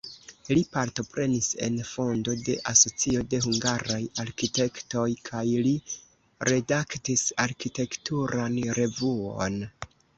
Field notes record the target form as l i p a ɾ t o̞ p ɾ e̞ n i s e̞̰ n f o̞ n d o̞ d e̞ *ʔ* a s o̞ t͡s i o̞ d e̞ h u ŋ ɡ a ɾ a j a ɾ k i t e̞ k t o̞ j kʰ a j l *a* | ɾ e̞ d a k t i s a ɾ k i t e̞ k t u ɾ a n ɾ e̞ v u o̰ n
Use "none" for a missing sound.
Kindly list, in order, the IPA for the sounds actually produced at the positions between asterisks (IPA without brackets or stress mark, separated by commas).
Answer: ʔ, i